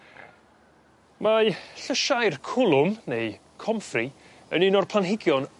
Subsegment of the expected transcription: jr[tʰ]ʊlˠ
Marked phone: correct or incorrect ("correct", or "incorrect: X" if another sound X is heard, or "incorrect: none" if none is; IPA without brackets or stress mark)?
incorrect: kʰ